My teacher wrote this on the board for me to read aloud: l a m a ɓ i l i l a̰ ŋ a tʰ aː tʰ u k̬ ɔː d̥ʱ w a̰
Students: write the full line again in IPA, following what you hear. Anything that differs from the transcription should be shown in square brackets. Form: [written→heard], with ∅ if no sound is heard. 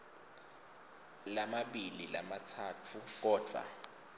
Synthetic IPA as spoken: l a m a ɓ i l i l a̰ [ŋ→m] a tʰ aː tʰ u k̬ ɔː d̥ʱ w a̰